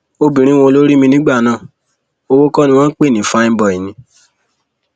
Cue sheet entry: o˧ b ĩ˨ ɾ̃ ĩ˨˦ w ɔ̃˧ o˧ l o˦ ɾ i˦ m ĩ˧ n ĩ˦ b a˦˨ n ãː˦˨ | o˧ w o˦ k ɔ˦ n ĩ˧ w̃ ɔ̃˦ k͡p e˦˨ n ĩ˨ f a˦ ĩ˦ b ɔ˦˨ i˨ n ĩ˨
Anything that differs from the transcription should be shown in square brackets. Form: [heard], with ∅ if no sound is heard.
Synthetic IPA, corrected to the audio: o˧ b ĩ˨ ɾ̃ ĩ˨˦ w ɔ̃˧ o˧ l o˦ ɾ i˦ m ĩ˧ n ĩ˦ [ɡ͡b] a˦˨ n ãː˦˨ | o˧ w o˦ k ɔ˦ n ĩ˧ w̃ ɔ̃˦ k͡p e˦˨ n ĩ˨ f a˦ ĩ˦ b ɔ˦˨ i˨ n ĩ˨